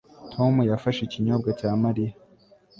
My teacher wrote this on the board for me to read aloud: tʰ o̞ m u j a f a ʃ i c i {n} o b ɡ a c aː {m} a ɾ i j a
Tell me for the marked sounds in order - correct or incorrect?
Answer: incorrect, correct

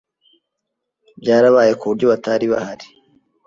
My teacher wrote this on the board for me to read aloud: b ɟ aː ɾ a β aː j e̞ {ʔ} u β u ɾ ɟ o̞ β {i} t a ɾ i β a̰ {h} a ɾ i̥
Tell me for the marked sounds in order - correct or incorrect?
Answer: incorrect, incorrect, correct

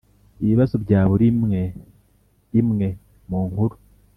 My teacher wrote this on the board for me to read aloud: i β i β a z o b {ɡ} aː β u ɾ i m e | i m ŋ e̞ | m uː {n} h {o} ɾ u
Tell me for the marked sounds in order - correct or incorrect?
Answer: incorrect, incorrect, incorrect

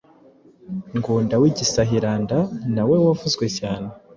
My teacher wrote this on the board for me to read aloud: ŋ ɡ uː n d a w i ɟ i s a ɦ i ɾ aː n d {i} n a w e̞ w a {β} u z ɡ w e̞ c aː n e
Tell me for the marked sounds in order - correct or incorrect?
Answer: incorrect, incorrect

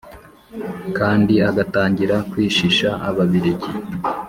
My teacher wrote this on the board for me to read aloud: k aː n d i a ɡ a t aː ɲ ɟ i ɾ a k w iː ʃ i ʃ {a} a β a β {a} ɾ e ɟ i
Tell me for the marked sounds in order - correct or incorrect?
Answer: correct, incorrect

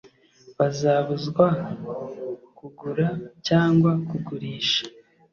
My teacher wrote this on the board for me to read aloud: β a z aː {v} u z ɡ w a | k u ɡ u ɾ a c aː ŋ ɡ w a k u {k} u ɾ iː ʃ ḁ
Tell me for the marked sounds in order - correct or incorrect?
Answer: incorrect, incorrect

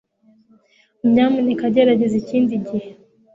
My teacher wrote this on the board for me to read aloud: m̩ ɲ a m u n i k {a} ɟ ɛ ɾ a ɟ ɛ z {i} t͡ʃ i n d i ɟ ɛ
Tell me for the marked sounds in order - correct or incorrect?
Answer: correct, correct

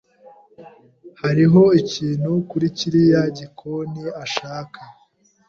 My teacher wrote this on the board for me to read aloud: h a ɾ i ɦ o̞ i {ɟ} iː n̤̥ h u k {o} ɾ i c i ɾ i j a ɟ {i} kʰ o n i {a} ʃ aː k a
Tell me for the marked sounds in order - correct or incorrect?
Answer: incorrect, incorrect, correct, correct

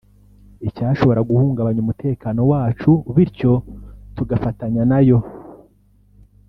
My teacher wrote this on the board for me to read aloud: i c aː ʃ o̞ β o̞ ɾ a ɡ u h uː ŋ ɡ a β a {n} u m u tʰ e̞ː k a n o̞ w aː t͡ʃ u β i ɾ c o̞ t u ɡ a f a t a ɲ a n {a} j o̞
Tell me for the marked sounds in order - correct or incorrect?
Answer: incorrect, correct

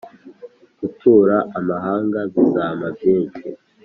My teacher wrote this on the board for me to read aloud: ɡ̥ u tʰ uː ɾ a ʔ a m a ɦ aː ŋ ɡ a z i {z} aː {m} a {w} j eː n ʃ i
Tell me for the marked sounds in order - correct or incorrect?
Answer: correct, correct, incorrect

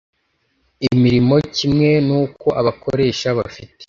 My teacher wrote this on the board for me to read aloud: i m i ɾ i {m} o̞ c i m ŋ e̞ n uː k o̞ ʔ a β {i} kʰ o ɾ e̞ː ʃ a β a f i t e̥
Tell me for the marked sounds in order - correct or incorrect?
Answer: correct, incorrect

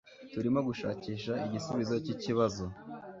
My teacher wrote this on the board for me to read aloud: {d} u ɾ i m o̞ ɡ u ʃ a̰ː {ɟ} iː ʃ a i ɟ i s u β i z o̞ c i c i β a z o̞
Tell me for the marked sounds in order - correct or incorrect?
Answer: incorrect, incorrect

